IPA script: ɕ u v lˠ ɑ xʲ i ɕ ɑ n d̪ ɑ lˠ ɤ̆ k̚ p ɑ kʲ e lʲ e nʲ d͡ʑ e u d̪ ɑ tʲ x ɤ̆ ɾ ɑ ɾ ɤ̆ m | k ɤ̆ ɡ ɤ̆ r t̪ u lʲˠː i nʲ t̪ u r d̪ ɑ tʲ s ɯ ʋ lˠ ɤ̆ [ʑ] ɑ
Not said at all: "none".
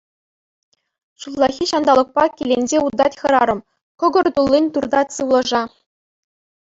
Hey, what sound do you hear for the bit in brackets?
ʐ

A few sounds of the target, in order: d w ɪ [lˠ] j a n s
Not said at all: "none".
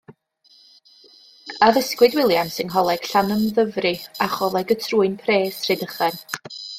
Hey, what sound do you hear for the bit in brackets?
lˠ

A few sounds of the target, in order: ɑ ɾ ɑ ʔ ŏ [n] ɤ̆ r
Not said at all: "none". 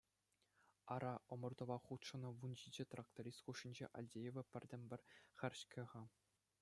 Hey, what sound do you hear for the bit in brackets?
m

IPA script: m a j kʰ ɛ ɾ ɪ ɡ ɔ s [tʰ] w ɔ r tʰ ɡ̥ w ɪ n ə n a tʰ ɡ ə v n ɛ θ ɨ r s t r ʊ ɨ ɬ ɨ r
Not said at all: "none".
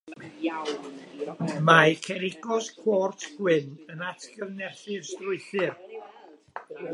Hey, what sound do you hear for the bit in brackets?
kʰ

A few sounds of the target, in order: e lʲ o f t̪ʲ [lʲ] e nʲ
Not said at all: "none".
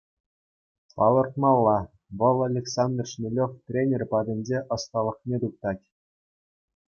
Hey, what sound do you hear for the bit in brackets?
rʲ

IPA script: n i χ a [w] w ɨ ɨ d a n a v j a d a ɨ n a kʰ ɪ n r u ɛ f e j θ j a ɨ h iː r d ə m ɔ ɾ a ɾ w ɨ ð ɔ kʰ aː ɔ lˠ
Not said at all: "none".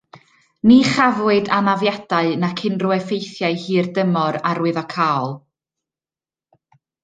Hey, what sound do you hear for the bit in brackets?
v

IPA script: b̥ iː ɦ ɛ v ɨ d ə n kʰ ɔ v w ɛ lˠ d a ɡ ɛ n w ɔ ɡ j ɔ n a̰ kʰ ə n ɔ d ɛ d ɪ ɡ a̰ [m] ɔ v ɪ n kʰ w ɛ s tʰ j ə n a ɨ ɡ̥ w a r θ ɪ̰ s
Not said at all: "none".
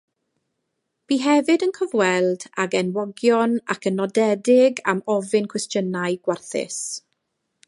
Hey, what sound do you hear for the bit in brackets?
m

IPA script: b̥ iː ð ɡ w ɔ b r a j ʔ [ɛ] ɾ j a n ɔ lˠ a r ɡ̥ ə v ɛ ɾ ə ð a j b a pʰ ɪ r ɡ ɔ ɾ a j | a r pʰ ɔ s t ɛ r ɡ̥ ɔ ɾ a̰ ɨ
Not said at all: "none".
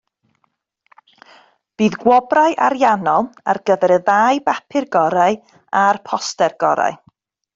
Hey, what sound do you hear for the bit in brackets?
a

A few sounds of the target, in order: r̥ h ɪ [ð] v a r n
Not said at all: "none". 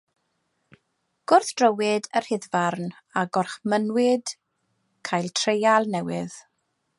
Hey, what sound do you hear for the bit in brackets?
ð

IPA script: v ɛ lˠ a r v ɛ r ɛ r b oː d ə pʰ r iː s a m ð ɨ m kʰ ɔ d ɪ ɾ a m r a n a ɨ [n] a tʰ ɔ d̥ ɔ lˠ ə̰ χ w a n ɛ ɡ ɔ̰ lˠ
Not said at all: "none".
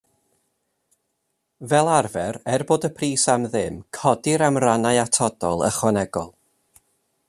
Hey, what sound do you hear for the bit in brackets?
none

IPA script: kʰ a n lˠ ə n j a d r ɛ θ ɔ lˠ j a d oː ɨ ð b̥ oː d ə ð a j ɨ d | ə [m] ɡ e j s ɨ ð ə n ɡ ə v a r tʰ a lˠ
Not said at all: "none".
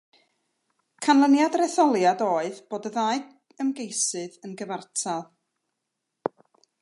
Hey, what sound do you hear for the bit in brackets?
m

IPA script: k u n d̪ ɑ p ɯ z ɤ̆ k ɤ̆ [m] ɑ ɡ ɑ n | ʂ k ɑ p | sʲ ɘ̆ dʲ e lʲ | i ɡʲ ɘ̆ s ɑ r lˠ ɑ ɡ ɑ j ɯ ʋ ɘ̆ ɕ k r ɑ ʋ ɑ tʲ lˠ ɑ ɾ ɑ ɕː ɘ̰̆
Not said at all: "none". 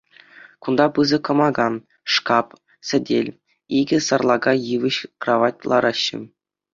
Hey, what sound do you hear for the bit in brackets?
m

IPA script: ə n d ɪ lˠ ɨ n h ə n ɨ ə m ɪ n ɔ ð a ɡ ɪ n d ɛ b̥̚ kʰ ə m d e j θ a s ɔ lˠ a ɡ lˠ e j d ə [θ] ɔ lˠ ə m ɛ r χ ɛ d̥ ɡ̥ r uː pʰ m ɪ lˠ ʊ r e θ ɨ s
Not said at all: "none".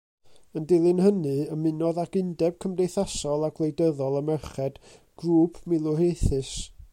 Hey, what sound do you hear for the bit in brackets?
ð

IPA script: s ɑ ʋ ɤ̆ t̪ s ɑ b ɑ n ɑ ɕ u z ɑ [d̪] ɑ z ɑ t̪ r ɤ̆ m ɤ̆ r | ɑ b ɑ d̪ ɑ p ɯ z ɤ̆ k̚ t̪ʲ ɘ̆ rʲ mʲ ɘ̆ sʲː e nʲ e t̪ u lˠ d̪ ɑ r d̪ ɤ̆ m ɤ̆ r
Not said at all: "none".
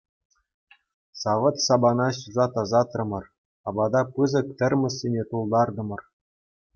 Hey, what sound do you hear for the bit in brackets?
t̪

